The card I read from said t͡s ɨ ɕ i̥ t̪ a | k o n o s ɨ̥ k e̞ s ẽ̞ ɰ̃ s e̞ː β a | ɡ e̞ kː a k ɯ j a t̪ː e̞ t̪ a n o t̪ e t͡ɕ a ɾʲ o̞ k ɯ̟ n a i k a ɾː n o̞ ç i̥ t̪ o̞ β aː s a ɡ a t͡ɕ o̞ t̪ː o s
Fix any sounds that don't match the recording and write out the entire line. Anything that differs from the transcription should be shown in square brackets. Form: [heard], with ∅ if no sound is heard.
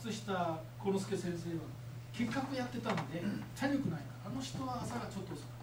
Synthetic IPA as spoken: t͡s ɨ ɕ i̥ t̪ a | k o n o s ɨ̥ k e̞ s ẽ̞ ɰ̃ s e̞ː β a | [k] e̞ kː a k ɯ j a t̪ː e̞ t̪ a n o [d̪] e t͡ɕ a ɾʲ o̞ k ɯ̟ n a i k a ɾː n o̞ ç i̥ t̪ o̞ β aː s a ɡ a t͡ɕ o̞ t̪ː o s